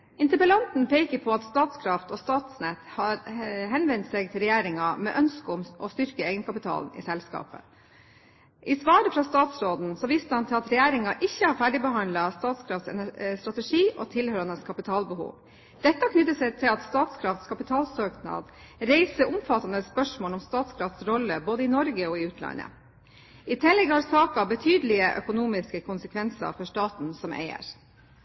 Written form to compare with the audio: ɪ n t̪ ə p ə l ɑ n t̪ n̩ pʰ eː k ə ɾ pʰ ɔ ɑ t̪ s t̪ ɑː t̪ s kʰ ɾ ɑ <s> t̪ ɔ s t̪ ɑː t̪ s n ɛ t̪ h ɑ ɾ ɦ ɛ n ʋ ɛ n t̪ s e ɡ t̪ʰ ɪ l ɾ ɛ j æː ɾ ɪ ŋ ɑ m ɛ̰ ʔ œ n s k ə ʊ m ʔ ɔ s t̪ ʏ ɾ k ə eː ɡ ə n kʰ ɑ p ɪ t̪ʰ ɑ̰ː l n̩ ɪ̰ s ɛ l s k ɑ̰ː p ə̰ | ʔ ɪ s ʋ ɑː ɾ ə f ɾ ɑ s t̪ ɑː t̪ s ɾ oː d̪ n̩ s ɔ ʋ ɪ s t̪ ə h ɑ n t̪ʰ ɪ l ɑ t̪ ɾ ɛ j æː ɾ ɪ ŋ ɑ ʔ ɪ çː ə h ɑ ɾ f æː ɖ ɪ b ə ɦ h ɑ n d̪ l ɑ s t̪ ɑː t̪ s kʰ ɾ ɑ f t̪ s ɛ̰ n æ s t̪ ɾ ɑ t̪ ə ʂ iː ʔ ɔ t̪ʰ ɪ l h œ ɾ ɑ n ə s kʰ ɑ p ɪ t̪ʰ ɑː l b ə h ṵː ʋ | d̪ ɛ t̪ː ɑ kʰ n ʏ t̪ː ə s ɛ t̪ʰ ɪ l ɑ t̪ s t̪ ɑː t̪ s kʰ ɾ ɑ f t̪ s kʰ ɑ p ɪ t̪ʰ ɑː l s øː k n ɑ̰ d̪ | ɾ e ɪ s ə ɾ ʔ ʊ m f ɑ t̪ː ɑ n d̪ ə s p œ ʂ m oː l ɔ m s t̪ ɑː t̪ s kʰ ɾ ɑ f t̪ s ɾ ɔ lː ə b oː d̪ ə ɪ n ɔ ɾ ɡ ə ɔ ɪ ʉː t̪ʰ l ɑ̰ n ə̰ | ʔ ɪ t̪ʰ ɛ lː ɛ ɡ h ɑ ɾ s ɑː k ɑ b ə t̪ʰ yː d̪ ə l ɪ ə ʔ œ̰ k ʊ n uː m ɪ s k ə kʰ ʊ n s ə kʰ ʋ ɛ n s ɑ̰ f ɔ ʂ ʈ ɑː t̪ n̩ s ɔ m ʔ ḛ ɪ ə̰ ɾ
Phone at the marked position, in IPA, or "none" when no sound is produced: f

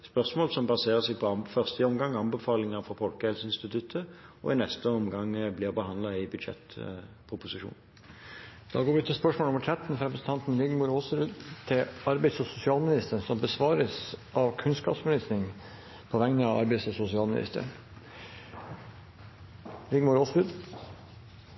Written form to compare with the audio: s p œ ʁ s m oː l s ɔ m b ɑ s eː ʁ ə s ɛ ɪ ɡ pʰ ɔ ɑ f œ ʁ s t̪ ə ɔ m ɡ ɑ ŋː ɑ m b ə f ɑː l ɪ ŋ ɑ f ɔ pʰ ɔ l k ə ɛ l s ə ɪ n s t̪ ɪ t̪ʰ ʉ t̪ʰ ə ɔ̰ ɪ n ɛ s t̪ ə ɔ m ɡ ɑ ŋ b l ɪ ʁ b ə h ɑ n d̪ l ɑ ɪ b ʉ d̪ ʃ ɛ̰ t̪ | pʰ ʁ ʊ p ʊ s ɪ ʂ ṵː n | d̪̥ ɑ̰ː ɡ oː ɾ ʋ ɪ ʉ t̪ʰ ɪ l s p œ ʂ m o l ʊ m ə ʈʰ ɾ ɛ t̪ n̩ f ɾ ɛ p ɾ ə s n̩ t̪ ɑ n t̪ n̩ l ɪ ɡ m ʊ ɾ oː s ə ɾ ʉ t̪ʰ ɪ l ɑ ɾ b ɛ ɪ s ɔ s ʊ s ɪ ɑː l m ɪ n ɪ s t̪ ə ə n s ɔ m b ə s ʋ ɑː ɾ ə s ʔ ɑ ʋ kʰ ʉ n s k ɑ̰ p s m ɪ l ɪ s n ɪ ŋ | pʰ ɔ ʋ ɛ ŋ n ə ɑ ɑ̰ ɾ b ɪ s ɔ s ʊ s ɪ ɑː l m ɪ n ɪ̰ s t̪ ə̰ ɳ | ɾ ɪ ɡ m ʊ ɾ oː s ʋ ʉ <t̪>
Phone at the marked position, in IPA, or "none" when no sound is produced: d̪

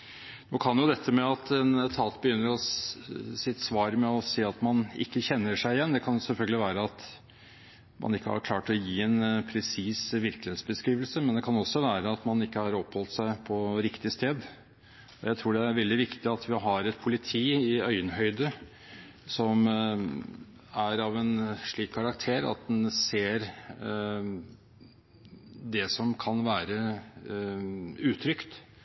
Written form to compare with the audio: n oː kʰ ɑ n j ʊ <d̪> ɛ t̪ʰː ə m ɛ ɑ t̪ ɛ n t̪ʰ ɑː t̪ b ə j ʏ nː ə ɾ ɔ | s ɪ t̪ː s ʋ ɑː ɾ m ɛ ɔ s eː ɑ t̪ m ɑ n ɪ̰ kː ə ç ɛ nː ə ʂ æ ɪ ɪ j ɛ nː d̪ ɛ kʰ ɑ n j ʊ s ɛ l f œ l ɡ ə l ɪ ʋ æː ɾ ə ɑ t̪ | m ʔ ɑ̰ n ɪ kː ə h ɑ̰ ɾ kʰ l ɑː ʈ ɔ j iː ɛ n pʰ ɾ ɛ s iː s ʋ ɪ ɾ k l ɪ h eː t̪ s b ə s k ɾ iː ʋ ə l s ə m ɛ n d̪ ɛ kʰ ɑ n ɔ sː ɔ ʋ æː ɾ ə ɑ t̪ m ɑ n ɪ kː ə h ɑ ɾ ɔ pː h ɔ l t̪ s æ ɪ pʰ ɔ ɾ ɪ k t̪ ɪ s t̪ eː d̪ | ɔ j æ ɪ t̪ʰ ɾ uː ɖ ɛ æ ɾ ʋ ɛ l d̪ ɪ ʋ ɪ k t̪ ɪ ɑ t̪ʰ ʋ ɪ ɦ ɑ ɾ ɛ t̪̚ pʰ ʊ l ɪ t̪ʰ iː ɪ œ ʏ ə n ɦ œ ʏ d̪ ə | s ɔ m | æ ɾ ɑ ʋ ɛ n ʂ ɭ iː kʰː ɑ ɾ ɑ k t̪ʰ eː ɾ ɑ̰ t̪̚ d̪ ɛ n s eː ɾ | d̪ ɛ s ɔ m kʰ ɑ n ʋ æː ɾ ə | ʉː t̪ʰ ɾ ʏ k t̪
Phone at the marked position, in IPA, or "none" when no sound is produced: d̪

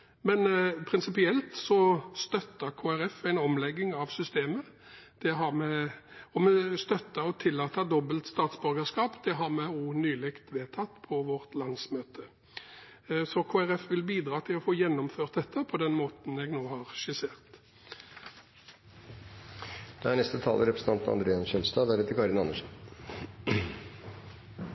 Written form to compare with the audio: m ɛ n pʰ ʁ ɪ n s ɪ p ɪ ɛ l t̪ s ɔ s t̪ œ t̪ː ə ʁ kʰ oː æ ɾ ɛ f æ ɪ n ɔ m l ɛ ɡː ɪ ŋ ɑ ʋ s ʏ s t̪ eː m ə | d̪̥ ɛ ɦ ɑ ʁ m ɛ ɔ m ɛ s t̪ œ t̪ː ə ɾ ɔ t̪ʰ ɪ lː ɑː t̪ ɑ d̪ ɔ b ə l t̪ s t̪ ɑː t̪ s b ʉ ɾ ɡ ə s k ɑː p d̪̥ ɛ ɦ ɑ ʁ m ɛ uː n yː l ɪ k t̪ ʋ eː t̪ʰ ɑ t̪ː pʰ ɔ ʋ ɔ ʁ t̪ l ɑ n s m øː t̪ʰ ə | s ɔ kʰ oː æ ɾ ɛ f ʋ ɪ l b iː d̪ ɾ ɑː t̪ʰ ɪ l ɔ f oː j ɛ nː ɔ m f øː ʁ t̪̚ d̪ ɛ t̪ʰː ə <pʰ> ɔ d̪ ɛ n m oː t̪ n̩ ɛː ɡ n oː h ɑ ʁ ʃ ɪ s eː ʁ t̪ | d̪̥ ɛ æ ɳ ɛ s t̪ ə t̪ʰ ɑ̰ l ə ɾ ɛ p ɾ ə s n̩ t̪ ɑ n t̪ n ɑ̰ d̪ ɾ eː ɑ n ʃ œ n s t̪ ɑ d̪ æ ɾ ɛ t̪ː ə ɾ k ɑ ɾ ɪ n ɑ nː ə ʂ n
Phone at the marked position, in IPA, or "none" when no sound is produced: pʰ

